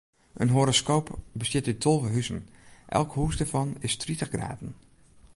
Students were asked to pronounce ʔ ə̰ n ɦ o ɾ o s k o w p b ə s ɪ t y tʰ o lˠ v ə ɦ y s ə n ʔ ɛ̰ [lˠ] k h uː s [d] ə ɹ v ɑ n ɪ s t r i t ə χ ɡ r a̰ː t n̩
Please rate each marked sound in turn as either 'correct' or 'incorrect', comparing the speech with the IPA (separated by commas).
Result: correct, correct